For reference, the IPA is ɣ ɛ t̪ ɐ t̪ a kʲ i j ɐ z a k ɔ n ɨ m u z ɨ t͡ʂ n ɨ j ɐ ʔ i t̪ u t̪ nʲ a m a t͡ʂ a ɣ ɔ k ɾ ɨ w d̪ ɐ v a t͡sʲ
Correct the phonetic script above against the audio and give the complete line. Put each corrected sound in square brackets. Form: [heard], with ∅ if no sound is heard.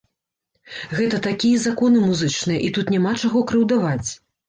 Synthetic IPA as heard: ɣ ɛ t̪ ɐ t̪ a kʲ i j ɐ z a k ɔ n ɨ m u z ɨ t͡ʂ n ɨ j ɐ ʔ i t̪ u t̪ nʲ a m a t͡ʂ a ɣ ɔ k ɾ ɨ w d̪ [a] v a t͡sʲ